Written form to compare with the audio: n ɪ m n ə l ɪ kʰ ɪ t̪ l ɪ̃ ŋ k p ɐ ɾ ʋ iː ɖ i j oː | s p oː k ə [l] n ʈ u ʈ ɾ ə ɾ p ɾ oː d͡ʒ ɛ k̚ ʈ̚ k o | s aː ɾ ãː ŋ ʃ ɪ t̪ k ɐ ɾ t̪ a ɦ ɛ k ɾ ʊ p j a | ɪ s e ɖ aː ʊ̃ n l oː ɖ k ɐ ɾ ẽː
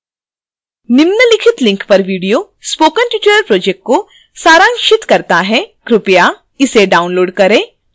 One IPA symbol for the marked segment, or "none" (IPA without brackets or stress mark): none